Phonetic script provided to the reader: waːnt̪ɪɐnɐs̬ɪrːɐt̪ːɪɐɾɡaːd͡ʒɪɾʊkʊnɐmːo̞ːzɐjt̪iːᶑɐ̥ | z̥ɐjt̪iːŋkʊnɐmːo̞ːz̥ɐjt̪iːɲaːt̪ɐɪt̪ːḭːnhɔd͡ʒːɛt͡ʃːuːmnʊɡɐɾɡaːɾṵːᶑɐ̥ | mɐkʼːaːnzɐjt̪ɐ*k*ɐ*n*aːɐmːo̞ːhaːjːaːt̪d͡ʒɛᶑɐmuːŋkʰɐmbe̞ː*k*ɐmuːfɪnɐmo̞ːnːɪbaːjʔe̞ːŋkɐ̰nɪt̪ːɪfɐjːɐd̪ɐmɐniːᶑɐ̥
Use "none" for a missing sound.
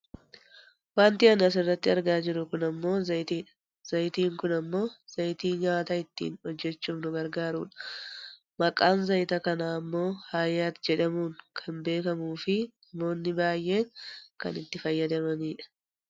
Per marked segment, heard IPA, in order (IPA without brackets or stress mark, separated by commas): k, n, k